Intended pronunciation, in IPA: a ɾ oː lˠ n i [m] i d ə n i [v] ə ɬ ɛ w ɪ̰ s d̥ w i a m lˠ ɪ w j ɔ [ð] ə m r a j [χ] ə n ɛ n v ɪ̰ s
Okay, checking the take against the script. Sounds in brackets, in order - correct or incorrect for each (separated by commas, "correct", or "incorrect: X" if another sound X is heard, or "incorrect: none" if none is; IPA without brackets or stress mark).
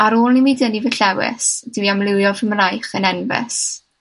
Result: correct, correct, incorrect: v, correct